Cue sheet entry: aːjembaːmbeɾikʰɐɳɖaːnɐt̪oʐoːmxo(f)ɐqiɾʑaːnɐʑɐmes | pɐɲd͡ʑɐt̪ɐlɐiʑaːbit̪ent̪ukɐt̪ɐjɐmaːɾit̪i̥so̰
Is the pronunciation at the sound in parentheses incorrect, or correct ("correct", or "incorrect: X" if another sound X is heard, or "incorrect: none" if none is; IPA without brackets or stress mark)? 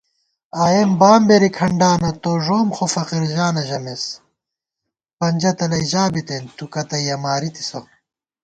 correct